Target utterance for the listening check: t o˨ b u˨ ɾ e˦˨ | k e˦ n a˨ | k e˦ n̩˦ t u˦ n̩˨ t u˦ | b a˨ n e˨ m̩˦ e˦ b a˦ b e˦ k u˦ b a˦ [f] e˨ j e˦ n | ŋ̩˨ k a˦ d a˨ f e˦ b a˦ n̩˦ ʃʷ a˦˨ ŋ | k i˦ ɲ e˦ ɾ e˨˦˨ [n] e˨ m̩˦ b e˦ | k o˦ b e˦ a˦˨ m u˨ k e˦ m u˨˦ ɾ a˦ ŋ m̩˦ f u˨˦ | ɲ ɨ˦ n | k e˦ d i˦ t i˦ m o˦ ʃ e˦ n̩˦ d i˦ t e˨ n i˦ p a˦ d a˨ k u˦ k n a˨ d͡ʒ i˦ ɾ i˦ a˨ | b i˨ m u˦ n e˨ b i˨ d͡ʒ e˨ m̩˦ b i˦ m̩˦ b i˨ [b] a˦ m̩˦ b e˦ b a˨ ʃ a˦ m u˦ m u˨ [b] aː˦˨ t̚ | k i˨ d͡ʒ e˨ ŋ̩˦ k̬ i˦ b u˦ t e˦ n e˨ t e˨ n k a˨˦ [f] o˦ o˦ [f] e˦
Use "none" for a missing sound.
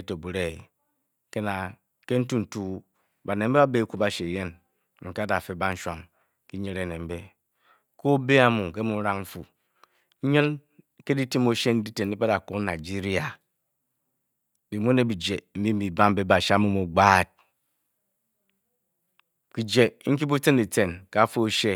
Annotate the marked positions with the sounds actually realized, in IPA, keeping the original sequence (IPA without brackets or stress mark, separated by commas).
ʃ, n, b, ɡ͡b, f, ʃ